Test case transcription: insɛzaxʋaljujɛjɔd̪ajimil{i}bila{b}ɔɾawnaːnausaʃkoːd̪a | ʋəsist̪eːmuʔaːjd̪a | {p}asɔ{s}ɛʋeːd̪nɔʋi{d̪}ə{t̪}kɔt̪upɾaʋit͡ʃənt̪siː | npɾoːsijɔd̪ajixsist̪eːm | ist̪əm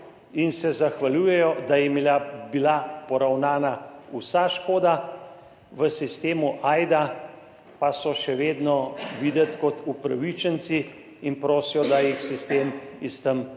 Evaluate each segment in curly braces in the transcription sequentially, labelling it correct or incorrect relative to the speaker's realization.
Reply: incorrect: a, incorrect: p, correct, incorrect: ʃ, correct, correct

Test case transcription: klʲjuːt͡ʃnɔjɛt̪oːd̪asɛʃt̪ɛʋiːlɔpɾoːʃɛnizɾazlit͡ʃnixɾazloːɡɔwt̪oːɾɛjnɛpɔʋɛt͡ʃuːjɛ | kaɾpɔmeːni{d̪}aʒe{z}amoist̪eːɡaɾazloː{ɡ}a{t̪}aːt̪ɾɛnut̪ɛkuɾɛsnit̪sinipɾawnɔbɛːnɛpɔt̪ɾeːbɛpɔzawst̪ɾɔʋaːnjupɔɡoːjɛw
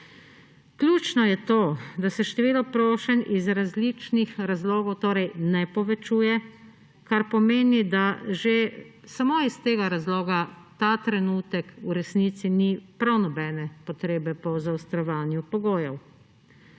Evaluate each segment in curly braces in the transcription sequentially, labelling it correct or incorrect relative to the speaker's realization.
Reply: correct, incorrect: s, correct, correct

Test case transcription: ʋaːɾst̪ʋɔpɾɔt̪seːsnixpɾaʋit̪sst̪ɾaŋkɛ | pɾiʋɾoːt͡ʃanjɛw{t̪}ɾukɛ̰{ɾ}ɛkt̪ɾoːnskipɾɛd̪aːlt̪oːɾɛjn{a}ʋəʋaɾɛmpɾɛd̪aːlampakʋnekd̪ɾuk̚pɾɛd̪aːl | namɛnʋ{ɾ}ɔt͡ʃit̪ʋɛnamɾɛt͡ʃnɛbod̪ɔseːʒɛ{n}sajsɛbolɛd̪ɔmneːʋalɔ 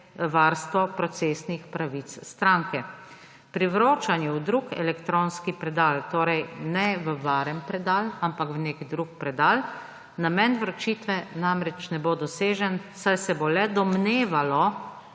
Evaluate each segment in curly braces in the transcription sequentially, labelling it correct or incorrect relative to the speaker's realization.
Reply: incorrect: d̪, incorrect: l, incorrect: ɛ, correct, correct

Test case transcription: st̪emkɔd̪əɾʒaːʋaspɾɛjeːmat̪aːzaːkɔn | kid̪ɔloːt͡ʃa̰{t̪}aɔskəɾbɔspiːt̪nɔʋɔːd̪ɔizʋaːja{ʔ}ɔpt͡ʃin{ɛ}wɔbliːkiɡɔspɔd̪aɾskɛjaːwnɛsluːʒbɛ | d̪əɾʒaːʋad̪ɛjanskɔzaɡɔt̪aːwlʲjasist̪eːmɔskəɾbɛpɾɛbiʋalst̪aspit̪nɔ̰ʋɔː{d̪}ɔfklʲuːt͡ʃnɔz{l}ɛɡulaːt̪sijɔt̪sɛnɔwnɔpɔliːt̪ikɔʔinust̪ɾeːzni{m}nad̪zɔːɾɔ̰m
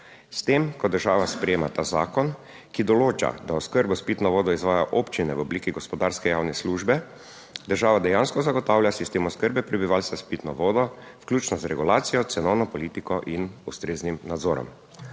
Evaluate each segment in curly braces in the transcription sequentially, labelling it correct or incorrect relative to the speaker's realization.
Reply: incorrect: d̪, correct, correct, correct, incorrect: ɾ, correct

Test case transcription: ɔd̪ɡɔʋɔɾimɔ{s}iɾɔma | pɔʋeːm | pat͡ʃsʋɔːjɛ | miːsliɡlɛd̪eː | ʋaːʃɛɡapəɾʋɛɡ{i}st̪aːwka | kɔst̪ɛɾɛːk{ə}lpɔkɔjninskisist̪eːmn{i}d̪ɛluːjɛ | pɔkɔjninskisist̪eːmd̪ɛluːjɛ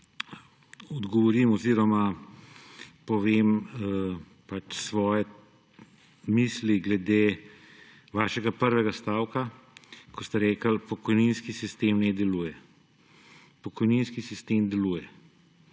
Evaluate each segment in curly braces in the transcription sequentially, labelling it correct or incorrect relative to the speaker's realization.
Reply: incorrect: z, incorrect: a, correct, incorrect: ɛ

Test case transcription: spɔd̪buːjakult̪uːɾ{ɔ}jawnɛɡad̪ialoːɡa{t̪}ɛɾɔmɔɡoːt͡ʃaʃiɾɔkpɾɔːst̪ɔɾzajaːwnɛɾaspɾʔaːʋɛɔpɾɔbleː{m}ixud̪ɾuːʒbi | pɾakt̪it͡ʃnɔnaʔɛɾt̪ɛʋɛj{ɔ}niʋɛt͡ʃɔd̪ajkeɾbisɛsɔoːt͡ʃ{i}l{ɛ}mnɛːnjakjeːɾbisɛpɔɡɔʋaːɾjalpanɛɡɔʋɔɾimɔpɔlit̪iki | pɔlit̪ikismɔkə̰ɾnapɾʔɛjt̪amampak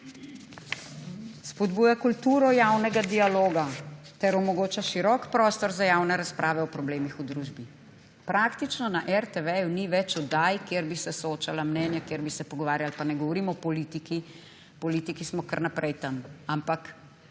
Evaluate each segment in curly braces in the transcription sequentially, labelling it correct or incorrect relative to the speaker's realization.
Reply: correct, correct, correct, incorrect: u, incorrect: a, incorrect: a

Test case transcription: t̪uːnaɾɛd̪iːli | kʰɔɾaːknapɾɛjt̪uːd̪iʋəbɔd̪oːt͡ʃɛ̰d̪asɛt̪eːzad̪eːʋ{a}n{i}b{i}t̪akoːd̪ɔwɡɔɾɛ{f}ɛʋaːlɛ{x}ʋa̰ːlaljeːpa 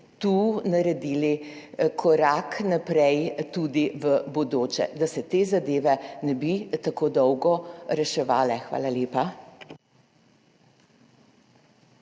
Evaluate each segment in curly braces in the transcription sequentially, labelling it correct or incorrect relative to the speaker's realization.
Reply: incorrect: ɛ, incorrect: ɛ, correct, incorrect: ʃ, correct

